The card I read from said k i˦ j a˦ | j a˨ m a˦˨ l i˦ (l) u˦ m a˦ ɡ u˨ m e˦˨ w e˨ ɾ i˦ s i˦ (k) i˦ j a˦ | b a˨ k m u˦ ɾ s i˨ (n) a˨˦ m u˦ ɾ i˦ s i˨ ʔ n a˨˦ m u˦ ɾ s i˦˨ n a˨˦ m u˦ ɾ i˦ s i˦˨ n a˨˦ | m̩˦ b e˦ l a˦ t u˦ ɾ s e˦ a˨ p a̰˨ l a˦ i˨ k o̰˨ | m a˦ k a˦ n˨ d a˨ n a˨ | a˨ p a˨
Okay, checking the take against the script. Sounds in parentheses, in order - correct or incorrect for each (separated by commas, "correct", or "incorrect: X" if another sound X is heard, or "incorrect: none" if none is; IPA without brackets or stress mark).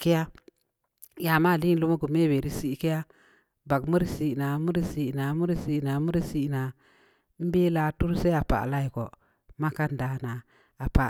correct, correct, correct